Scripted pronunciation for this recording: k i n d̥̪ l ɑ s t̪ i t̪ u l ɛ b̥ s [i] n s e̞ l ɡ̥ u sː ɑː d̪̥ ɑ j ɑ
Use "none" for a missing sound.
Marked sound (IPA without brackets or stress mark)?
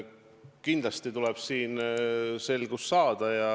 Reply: iː